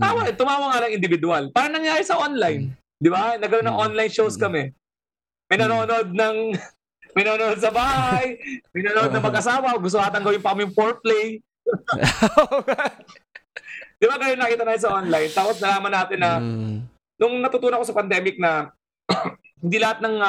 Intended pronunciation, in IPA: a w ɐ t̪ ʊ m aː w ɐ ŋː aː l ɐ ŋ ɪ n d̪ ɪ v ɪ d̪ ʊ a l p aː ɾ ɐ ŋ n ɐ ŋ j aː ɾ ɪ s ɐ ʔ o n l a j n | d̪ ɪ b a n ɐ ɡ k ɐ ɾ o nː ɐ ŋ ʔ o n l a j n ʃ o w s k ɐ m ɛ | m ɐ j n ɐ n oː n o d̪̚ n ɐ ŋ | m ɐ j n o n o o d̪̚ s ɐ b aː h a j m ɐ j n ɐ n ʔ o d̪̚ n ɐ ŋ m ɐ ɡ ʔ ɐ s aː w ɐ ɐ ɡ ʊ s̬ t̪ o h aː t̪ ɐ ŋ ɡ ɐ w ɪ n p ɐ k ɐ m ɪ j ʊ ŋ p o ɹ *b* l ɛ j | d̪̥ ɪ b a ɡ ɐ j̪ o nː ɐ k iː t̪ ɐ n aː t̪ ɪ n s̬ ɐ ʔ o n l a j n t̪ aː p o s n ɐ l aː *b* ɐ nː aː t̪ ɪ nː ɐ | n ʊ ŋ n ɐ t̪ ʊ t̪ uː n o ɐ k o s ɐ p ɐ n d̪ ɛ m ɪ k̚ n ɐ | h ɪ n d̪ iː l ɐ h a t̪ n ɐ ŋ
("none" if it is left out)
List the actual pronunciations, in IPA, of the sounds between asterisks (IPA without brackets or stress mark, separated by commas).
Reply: p, m